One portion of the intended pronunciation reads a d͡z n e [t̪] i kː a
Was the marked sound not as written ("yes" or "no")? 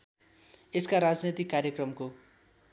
no